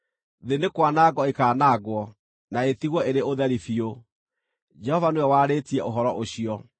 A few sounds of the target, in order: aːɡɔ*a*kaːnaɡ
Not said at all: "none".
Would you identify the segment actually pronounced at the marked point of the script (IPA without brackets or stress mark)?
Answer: e